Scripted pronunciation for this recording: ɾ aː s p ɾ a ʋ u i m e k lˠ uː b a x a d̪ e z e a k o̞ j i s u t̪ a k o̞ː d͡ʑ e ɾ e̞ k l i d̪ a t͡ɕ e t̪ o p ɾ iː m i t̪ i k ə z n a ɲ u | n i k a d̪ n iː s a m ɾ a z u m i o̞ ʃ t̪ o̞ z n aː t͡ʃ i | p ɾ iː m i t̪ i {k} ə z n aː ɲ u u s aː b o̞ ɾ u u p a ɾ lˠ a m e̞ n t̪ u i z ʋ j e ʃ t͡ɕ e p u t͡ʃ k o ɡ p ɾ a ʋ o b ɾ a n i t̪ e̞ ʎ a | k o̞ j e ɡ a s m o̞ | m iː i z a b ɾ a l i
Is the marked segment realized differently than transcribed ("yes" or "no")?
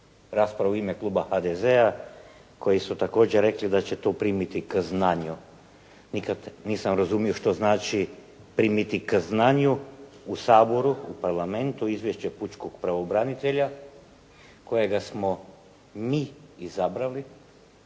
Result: no